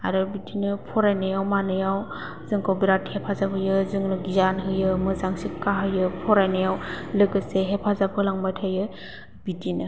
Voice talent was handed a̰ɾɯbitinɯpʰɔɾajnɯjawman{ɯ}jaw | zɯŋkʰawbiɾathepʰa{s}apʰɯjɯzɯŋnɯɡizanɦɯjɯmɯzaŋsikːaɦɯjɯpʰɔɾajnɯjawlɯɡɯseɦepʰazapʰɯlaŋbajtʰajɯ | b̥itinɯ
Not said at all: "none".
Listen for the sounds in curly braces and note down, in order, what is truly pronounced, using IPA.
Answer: ɯ, z

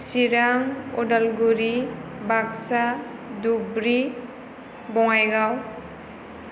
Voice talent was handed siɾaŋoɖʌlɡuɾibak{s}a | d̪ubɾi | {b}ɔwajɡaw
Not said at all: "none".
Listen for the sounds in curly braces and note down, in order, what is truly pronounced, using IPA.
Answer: s, b

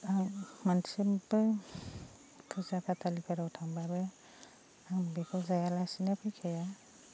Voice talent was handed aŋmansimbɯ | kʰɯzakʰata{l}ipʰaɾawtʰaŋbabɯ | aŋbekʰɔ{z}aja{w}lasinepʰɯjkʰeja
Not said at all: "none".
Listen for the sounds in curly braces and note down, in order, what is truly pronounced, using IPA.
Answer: l, z, none

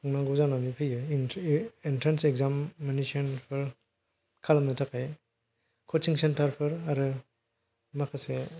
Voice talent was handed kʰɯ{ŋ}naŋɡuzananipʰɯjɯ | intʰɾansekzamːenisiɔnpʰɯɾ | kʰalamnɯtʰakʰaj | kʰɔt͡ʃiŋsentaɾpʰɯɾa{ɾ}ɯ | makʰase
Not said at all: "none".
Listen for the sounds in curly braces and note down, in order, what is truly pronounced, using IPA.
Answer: ŋ, ɾ

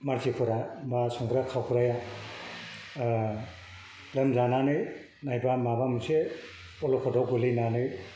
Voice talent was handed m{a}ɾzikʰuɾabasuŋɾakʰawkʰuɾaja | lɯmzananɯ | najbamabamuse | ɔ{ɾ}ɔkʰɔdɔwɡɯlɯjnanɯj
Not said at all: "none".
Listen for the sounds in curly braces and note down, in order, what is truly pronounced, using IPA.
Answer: a, l

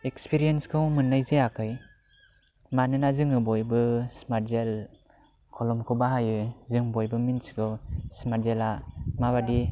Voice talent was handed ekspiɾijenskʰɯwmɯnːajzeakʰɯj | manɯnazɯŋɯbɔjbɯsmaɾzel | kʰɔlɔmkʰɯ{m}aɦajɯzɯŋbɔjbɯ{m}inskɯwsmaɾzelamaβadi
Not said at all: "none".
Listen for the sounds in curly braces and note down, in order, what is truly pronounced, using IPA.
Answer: b, m

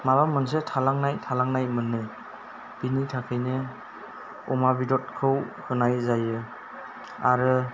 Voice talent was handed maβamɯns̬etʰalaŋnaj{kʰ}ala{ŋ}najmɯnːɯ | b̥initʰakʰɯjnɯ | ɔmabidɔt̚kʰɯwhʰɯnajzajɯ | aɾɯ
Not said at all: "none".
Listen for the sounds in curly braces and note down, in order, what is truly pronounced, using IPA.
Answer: tʰ, ŋ

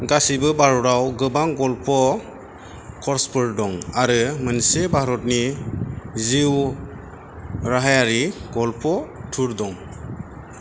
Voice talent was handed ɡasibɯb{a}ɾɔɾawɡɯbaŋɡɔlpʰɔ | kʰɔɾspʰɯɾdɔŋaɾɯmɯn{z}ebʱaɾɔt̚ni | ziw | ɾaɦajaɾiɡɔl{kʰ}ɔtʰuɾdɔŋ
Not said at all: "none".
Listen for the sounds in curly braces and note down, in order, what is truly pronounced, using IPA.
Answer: a, s, pʰ

